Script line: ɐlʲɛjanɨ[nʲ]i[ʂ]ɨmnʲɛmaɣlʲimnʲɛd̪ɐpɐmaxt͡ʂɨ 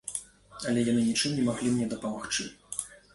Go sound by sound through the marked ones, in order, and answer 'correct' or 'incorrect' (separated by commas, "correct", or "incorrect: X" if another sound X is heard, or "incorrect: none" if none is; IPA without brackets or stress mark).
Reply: correct, incorrect: t͡ʂ